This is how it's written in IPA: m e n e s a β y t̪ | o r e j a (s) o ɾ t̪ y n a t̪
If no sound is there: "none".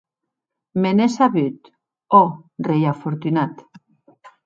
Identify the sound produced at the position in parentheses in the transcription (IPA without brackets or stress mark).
f